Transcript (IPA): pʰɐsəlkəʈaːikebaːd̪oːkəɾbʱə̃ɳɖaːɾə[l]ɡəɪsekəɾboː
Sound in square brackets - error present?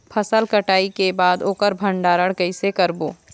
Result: yes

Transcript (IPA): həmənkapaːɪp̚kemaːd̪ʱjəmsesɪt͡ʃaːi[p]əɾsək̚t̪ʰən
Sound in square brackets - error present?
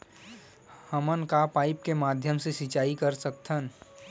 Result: yes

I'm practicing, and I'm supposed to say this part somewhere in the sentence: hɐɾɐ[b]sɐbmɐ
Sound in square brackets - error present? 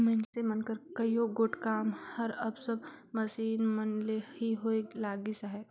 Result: no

